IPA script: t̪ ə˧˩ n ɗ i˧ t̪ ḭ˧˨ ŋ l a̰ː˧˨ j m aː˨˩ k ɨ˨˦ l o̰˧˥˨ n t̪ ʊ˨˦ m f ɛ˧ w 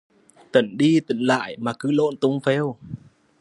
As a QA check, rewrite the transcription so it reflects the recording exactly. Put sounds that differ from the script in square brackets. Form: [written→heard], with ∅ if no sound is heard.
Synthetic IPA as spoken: t̪ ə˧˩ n ɗ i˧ t̪ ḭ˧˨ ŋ l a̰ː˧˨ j m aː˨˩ k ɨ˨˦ l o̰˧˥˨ n t̪ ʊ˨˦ [m→ŋ͡m] f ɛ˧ w